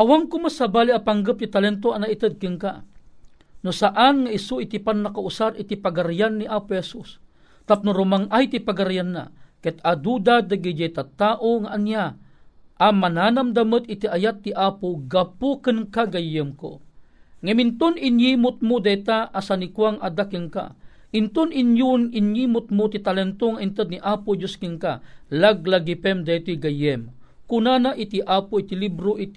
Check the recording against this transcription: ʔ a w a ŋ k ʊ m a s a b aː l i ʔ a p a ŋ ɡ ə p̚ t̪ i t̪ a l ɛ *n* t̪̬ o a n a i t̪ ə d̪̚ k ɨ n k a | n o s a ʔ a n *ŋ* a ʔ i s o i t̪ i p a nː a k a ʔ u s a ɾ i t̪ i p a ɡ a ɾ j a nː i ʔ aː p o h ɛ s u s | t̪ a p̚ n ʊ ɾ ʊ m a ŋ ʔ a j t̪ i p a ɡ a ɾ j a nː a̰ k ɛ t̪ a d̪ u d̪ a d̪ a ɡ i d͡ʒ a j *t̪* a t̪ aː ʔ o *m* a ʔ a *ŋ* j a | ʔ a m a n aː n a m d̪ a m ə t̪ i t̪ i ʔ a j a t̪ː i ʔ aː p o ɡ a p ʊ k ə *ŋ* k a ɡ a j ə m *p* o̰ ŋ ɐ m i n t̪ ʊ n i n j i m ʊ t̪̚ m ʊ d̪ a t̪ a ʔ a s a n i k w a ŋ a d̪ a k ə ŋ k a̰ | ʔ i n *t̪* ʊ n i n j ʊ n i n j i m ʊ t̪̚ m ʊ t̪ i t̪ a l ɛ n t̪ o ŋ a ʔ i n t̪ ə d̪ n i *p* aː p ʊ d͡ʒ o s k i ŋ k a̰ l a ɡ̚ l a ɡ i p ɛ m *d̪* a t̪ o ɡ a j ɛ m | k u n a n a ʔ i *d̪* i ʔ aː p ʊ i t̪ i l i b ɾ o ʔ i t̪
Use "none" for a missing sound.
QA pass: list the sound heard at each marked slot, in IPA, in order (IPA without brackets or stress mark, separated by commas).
n, ŋ, t̪, ŋ, n, n, k, t̪, ʔ, d̪, t̪